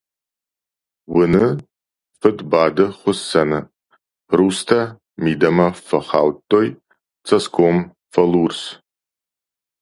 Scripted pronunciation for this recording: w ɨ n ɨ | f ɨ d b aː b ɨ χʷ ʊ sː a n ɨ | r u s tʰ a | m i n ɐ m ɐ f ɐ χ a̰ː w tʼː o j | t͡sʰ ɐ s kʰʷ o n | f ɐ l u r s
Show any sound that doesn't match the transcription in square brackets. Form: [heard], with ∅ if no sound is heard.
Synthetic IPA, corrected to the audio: w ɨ n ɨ | f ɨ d b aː [d] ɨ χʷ ʊ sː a n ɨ | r u s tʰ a | m i [d] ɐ m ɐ f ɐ χ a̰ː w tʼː o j | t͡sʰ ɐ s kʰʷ o [m] | f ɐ l u r s